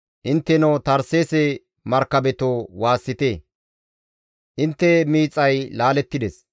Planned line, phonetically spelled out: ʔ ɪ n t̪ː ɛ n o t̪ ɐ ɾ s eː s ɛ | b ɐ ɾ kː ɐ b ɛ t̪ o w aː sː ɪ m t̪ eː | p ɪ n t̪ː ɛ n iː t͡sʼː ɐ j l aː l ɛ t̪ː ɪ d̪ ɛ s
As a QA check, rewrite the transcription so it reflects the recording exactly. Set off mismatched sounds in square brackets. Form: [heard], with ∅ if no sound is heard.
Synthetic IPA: ʔ ɪ n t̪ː ɛ n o t̪ ɐ ɾ s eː s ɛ | [m] ɐ ɾ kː ɐ b ɛ t̪ o w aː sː ɪ [∅] t̪ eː | [ʔ] ɪ n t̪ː ɛ [m] iː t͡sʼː ɐ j l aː l ɛ t̪ː ɪ d̪ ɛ s